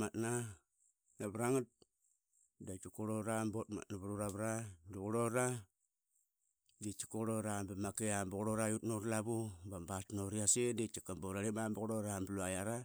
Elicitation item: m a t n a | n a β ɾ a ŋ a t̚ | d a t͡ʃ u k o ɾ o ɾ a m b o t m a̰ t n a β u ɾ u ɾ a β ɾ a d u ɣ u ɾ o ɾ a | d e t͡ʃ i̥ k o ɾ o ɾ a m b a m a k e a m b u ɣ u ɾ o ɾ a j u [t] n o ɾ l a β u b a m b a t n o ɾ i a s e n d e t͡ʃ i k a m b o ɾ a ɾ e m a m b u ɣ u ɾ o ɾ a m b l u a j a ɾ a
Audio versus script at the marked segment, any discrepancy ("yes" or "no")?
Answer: no